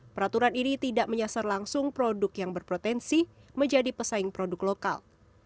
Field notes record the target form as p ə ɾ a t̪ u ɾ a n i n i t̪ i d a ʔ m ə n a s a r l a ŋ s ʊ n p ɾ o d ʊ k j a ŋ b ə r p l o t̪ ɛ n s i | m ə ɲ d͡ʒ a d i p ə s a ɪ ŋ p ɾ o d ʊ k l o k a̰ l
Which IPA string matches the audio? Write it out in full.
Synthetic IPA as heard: p ə ɾ a t̪ u ɾ a n i n i t̪ i d a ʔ m ə ɲ a s a r l a ŋ s ʊ ŋ p ɾ o d ʊ k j a ŋ b ə r p ɾ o t̪ ɛ n s i | m ə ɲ d͡ʒ a d i p ə s a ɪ ŋ p ɾ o d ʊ k l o k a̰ l